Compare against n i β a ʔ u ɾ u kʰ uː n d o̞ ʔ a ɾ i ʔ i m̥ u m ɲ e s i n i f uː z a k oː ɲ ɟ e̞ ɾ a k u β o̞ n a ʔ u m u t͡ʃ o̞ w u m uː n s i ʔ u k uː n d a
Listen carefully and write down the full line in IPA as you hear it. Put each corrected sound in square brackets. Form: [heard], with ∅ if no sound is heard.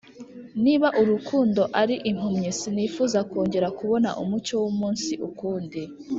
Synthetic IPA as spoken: n i β a ʔ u ɾ u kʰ uː n d o̞ ʔ a ɾ i ʔ i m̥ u m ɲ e s i n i f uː z a k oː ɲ ɟ e̞ ɾ a k u β o̞ n a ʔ u m u t͡ʃ o̞ w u m uː n s i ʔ u k uː n d [i]